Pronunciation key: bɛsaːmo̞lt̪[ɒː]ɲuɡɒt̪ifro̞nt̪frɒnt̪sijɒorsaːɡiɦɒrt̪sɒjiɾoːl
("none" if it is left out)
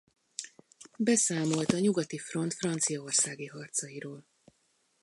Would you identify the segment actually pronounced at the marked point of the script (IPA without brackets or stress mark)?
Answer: ɒ